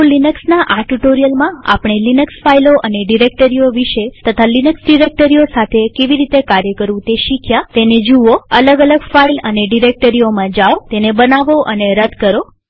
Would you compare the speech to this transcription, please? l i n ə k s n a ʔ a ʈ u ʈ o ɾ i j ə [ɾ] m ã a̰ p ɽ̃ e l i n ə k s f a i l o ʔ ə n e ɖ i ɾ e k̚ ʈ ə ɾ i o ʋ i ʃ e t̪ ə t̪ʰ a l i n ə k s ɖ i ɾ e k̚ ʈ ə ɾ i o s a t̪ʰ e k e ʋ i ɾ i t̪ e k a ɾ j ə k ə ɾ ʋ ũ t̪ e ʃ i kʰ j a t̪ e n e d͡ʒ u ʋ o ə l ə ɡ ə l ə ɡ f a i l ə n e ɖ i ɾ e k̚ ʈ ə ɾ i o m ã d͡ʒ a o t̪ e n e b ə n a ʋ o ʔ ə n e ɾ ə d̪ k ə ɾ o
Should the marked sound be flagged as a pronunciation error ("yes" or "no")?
yes